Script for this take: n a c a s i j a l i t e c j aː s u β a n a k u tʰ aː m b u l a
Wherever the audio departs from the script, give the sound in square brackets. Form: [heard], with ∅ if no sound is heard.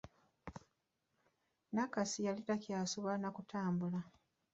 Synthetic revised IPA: n a [k] a s i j a l i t [a] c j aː s u β a n a k u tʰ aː m b u l a